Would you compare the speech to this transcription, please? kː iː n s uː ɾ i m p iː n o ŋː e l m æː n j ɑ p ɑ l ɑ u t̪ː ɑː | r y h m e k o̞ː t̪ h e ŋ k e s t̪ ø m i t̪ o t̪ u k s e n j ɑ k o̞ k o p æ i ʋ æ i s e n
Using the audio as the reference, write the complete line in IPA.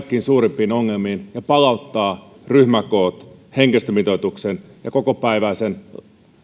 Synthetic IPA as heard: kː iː n s uː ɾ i m p iː n o ŋː e l m iː n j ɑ p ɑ l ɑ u t̪ː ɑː | r y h m æ k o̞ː t̪ h e ŋ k e s t̪ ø m i t̪ o t̪ u k s e n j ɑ k o̞ k o p æ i ʋ æ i s e n